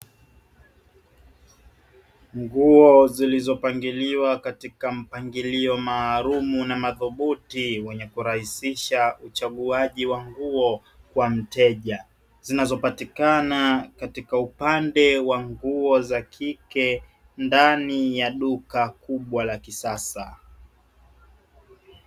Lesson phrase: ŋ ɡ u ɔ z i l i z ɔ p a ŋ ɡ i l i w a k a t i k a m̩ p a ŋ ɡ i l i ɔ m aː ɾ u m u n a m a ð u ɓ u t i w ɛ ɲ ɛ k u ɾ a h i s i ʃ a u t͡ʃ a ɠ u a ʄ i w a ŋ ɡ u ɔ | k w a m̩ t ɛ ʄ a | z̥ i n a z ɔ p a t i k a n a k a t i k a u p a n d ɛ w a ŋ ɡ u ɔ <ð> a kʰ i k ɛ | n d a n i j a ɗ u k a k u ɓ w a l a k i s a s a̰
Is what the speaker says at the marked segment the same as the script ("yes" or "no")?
no